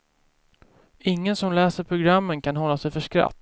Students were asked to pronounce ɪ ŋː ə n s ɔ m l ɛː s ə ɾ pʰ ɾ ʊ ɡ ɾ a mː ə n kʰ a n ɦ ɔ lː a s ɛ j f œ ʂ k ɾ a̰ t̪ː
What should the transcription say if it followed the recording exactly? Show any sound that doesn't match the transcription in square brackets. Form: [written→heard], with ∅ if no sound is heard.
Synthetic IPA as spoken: ɪ ŋː ə n s ɔ m l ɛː s ə ɾ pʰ ɾ ʊ ɡ ɾ a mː ə n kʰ a n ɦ ɔ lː a s ɛ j f œ ʂ k ɾ a̰ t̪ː